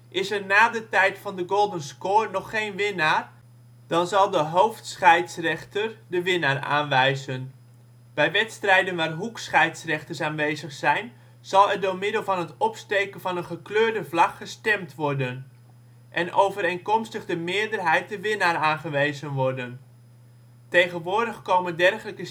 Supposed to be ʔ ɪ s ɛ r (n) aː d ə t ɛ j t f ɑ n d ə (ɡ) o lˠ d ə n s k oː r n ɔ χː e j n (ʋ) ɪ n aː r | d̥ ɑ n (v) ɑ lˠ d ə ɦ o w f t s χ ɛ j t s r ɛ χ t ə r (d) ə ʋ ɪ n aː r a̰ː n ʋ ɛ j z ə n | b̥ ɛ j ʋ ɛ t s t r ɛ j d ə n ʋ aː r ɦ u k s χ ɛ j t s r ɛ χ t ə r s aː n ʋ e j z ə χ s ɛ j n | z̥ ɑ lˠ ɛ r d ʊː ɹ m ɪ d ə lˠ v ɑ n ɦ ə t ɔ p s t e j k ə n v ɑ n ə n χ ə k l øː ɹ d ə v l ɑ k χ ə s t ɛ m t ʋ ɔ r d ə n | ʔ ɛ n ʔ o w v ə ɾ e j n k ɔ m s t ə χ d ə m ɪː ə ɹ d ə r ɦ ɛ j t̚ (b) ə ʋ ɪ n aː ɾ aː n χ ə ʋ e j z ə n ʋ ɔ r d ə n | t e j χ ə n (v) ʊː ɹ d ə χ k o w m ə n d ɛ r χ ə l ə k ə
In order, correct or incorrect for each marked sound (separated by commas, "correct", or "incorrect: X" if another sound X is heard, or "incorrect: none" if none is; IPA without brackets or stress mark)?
correct, correct, correct, incorrect: z, correct, incorrect: d, incorrect: ʋ